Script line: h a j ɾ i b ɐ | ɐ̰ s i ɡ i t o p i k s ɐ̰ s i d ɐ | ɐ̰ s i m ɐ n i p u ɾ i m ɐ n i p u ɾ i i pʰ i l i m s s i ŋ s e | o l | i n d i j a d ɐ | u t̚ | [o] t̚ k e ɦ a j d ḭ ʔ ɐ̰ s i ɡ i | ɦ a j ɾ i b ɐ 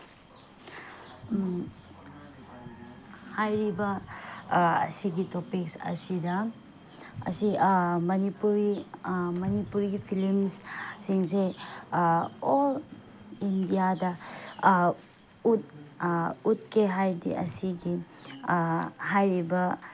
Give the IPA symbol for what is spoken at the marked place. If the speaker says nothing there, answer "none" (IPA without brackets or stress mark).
u